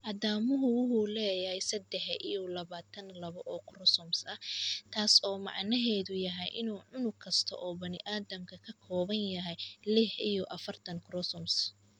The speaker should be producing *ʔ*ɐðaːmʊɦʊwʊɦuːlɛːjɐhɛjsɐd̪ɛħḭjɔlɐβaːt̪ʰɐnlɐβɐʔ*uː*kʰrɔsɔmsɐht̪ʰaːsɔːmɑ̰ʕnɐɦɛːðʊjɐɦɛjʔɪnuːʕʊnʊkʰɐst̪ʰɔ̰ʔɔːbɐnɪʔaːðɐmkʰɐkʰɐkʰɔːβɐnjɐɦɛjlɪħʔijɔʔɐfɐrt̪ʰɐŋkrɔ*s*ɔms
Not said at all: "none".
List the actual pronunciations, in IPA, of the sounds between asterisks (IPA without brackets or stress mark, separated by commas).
ʔ, ɔː, s